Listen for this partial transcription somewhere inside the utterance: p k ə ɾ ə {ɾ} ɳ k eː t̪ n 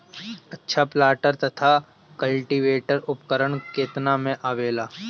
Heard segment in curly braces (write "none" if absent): none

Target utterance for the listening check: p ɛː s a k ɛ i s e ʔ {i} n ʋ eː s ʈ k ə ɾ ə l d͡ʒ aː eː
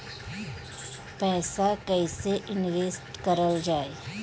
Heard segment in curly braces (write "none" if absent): ɪ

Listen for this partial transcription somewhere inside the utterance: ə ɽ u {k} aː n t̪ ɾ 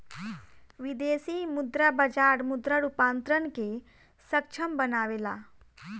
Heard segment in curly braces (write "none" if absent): p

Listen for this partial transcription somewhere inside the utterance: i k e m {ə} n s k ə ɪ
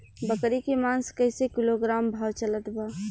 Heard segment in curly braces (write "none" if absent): a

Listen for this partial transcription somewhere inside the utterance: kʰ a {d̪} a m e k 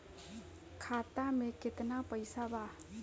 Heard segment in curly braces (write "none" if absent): t̪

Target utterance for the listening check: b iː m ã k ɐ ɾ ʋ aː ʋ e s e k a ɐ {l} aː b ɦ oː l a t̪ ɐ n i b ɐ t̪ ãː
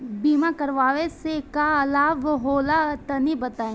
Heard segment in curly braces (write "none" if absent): l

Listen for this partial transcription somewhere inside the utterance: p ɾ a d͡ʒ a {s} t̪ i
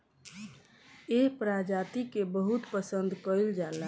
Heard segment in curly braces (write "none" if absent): none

